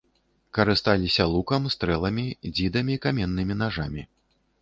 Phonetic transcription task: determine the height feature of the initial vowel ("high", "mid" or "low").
low